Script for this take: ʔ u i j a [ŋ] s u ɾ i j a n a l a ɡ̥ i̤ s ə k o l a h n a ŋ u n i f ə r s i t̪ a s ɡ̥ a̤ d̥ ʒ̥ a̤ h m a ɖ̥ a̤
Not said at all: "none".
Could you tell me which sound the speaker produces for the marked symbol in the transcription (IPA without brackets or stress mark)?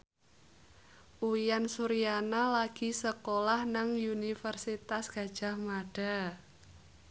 n